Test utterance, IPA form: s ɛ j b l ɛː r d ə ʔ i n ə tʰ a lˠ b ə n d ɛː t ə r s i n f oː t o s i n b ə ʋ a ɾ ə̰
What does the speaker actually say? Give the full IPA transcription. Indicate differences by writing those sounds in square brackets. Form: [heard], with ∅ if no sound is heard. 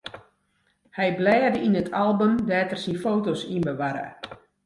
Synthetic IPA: [h] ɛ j b l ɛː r d ə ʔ i n ə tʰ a lˠ b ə [m] d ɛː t ə r s i n f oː t o s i n b ə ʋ a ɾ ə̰